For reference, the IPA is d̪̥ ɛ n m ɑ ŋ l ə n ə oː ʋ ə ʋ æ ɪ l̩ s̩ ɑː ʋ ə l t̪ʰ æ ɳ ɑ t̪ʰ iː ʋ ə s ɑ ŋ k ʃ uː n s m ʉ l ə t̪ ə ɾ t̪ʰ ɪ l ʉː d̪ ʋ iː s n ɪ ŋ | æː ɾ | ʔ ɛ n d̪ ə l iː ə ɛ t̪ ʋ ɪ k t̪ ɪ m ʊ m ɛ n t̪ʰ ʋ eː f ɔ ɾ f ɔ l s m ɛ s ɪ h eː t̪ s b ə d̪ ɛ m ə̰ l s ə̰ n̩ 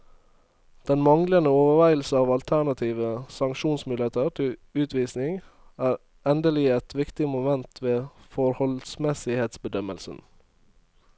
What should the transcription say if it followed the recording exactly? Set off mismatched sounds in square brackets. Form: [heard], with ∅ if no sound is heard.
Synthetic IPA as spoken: d̪̥ ɛ n m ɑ ŋ l ə n ə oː ʋ ə ʋ æ ɪ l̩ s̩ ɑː ʋ [ɑ] l t̪ʰ æ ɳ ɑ t̪ʰ iː ʋ ə s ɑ ŋ k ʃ uː n s m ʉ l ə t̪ ə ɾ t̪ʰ ɪ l ʉː [t̪] ʋ iː s n ɪ ŋ | æː ɾ | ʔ ɛ n d̪ ə l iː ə ɛ t̪ ʋ ɪ k t̪ ɪ m ʊ m ɛ n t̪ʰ ʋ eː f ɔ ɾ [h] ɔ l s m ɛ s ɪ h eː t̪ s b ə d̪ [œ] m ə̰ l s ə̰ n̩